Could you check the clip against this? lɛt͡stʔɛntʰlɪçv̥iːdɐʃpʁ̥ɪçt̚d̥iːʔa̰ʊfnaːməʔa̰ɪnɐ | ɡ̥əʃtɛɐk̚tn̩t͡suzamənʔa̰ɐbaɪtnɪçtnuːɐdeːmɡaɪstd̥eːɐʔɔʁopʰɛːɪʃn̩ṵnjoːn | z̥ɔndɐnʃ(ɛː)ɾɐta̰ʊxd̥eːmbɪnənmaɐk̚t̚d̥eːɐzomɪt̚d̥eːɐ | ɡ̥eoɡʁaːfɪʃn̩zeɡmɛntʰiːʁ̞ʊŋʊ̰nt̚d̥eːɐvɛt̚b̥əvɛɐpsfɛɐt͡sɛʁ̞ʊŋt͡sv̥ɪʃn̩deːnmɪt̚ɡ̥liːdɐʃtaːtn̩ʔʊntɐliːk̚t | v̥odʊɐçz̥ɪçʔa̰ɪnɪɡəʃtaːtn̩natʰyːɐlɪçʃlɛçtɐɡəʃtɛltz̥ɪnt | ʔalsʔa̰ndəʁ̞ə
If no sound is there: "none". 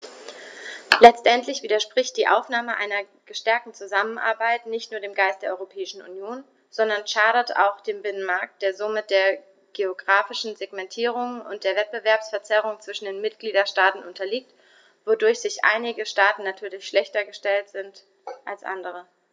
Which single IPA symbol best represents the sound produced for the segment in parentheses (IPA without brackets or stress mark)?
aː